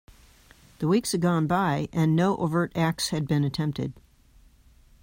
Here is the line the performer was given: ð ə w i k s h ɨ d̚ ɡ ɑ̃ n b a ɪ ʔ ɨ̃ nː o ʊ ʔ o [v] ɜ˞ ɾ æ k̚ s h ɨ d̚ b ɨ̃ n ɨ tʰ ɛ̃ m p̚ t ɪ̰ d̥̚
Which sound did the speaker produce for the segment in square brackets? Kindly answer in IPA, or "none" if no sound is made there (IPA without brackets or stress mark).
v